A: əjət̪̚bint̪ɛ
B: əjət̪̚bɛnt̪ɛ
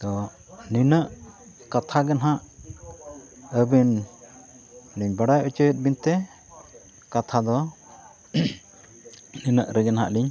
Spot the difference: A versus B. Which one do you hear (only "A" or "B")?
A